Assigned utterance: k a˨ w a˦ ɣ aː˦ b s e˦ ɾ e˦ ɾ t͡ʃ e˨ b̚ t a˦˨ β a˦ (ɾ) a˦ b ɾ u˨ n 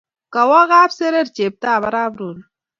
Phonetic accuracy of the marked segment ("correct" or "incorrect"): correct